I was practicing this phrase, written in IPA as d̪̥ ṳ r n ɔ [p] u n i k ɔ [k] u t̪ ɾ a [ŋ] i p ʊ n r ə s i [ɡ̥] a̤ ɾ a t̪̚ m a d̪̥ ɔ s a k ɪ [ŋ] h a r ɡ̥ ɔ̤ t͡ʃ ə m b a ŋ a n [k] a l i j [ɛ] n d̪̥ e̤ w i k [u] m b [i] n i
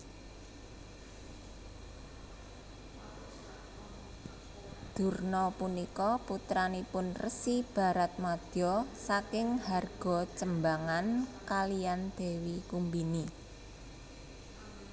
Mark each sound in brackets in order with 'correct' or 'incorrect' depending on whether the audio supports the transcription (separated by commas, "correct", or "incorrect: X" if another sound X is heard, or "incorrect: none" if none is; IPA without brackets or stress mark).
correct, incorrect: p, incorrect: n, incorrect: b̥, correct, correct, incorrect: a, correct, correct